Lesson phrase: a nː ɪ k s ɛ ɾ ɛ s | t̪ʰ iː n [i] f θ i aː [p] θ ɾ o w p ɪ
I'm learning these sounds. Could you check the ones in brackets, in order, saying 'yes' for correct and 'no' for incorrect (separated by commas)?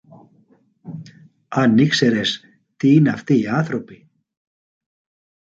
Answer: no, no